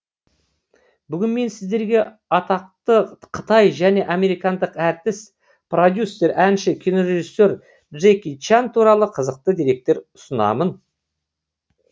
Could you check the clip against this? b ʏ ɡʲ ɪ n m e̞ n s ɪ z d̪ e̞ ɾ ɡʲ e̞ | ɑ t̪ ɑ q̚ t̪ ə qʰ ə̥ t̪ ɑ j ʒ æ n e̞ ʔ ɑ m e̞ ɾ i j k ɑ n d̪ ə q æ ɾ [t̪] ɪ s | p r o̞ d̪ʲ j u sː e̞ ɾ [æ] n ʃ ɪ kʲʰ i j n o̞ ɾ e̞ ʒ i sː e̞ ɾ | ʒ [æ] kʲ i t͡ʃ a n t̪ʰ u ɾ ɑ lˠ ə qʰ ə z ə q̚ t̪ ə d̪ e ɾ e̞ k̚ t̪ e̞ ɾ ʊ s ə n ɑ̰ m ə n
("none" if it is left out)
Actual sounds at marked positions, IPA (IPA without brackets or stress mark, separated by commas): t̪, æ, e